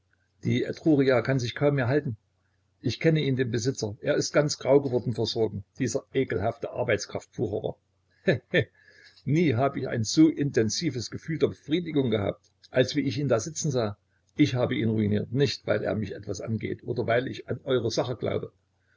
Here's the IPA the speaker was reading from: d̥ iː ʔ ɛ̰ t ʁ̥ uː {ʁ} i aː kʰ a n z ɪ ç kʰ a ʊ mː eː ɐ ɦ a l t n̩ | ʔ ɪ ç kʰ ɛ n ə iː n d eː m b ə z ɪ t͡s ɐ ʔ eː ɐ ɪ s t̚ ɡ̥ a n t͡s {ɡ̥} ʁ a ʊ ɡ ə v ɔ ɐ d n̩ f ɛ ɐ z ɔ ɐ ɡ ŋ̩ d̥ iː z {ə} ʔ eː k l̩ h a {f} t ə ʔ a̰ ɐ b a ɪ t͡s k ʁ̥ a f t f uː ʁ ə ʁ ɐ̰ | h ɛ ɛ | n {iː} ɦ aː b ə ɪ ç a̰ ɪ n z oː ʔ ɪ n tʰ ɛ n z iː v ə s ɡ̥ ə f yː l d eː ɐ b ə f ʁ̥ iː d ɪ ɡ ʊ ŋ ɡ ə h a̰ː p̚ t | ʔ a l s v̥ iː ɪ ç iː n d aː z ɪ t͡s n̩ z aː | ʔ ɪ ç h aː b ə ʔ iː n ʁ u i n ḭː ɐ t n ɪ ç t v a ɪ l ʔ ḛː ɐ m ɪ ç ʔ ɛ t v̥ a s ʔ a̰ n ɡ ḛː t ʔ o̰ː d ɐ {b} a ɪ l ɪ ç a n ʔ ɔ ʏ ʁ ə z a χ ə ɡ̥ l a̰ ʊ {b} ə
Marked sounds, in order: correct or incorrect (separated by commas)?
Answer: correct, correct, incorrect, correct, correct, incorrect, correct